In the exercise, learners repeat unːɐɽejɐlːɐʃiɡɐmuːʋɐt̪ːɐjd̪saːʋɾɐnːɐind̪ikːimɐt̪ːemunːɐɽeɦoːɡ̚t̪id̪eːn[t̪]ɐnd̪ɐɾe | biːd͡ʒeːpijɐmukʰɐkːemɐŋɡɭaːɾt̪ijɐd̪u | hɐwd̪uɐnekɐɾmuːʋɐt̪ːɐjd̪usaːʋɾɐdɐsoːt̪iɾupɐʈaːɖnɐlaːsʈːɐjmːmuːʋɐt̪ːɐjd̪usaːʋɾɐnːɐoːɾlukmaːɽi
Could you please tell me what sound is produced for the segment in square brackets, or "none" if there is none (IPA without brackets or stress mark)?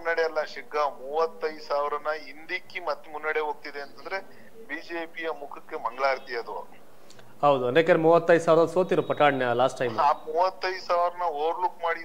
t̪